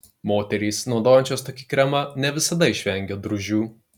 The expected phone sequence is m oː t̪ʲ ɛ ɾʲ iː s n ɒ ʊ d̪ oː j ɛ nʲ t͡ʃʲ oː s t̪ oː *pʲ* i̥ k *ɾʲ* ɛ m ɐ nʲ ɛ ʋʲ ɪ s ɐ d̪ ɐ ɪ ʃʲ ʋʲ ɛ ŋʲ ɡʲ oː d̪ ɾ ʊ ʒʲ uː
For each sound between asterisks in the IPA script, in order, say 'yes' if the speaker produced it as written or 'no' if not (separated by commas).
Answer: no, yes